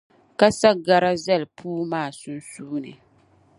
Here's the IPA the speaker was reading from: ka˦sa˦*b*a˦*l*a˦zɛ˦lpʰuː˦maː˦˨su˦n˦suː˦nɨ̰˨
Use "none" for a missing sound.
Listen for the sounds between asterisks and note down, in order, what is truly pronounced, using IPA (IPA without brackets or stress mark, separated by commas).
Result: ɡ, ɾ